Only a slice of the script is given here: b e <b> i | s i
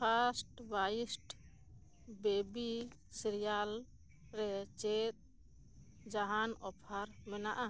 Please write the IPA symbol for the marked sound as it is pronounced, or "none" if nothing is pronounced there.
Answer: b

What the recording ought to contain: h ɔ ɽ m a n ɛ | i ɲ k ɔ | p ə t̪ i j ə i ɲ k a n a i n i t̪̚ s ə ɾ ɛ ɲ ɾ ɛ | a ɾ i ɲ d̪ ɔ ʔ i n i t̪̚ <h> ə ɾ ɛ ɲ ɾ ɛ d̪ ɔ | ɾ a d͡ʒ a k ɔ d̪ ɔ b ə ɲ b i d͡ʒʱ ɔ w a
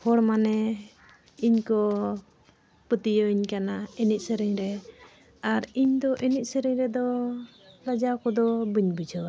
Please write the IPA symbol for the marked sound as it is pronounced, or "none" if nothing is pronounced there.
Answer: s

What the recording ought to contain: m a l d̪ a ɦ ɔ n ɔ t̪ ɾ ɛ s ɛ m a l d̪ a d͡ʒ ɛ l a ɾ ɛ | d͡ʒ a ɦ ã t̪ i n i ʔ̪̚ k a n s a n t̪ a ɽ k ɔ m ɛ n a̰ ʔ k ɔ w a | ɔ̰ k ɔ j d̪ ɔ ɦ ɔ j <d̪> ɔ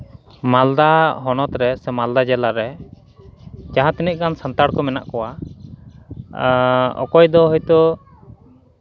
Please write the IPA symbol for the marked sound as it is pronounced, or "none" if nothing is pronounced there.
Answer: t̪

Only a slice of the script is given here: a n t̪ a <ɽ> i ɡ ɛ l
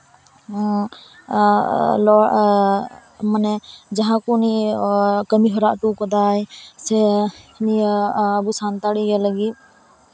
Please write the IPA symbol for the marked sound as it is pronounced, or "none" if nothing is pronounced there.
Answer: ɽ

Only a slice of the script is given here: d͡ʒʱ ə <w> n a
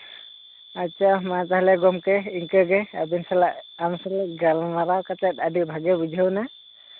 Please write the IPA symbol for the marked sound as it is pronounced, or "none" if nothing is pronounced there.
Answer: w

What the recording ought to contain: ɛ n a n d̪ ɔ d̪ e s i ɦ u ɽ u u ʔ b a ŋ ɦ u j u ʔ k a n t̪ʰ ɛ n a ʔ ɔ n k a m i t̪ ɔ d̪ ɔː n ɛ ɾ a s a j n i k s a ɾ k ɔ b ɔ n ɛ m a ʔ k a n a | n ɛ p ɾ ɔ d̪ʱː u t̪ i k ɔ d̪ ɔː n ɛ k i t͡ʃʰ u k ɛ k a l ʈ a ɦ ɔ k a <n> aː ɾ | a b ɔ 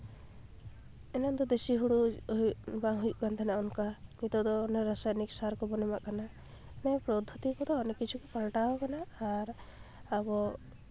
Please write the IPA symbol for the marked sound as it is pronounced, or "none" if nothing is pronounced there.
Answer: n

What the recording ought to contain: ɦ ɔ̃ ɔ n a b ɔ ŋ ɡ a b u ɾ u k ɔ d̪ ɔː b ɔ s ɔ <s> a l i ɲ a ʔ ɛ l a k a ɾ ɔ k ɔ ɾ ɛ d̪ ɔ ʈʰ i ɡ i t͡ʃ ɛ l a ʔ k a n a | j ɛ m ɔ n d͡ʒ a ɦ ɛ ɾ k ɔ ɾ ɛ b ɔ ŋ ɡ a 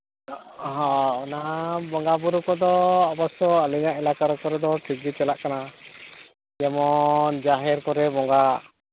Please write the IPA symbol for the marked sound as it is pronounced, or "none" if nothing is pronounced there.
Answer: none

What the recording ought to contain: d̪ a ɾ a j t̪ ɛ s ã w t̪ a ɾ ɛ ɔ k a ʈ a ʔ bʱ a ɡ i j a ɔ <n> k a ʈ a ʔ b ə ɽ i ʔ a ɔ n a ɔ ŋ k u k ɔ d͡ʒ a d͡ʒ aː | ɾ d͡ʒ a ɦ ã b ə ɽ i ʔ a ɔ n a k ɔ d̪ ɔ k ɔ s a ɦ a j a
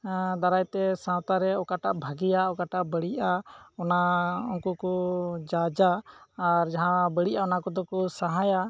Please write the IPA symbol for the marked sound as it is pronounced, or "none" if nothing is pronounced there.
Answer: none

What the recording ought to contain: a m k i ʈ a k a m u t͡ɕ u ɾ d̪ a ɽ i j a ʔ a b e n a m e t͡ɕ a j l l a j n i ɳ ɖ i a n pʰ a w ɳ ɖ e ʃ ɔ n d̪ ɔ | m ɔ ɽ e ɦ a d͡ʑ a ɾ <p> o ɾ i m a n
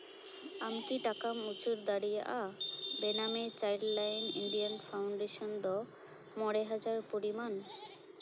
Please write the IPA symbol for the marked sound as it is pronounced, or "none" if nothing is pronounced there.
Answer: p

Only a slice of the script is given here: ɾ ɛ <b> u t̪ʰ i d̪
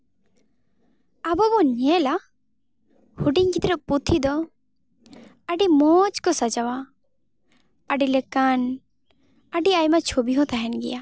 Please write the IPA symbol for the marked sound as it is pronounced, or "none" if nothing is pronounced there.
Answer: p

